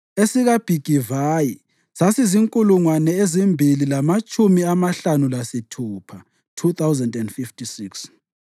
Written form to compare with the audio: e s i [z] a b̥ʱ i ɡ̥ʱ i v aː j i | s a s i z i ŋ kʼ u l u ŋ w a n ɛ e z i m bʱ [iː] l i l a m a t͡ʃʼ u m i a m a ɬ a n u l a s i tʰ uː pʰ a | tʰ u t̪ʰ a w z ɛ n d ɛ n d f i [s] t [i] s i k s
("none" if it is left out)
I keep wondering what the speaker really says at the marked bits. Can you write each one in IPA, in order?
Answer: ɣ, i, f, i

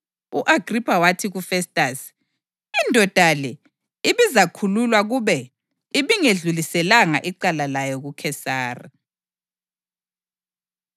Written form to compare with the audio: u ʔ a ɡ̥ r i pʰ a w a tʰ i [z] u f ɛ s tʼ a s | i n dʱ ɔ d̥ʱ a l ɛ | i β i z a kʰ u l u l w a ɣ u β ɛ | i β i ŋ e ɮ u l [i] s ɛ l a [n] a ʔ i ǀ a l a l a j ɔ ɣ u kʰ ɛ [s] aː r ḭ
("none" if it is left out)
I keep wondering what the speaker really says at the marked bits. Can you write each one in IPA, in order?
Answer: ɣ, i, ŋ, s

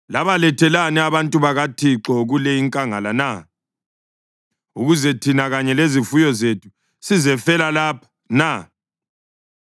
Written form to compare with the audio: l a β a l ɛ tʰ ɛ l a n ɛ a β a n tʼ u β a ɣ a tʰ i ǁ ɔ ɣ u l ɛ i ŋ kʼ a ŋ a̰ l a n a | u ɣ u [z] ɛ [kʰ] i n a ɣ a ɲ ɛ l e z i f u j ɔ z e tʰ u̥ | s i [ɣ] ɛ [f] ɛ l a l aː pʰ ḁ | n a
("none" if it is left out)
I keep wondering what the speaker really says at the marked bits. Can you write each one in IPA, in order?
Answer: z, tʰ, z, f

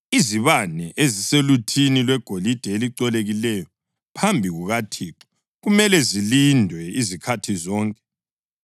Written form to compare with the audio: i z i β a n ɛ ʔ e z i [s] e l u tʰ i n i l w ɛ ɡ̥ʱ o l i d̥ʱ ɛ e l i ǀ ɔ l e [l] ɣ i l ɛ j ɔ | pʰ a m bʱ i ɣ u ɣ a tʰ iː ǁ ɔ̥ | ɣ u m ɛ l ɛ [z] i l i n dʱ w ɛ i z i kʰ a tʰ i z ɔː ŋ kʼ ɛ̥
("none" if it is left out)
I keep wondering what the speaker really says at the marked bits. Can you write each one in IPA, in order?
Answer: s, none, z

